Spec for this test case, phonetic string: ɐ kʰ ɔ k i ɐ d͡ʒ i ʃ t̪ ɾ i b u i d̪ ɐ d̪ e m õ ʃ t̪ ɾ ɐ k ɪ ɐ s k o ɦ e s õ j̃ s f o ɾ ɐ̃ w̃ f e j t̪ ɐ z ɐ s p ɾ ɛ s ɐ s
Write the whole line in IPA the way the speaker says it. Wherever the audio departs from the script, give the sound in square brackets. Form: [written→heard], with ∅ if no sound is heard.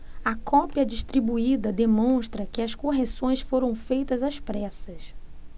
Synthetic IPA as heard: ɐ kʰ ɔ [k→p] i ɐ d͡ʒ i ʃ t̪ ɾ i b u i d̪ ɐ d̪ e m õ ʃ t̪ ɾ ɐ k ɪ ɐ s k o ɦ e s õ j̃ s f o ɾ ɐ̃ w̃ f e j t̪ ɐ z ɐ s p ɾ ɛ s ɐ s